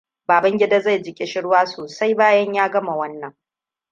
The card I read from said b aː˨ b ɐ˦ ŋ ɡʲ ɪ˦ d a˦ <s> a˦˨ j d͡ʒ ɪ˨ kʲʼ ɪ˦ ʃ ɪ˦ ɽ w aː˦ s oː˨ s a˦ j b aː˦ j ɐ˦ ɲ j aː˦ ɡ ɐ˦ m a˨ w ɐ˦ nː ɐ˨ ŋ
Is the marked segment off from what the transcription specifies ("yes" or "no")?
yes